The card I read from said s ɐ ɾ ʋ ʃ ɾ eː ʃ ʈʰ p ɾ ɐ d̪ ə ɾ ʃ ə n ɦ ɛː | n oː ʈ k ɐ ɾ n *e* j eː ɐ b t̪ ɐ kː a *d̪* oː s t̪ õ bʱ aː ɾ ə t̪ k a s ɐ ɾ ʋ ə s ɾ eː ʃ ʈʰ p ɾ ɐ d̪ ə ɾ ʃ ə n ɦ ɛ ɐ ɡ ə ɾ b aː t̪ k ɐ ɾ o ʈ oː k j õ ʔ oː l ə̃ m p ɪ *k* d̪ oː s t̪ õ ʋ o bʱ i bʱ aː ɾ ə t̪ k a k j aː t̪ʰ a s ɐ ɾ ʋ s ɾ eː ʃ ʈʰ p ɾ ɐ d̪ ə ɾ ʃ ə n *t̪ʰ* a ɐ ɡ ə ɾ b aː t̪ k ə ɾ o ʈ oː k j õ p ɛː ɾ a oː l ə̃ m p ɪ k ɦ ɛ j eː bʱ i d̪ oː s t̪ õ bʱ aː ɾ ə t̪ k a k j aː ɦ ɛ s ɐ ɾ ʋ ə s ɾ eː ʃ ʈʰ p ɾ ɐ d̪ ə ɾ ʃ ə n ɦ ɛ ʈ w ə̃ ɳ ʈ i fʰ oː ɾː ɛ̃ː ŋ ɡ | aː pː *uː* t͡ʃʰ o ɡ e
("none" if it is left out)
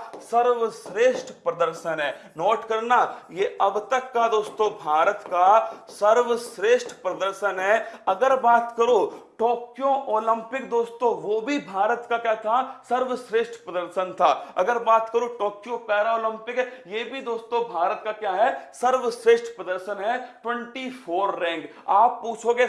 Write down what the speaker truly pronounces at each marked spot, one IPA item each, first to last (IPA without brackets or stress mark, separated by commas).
a, d̪, k, t̪ʰ, uː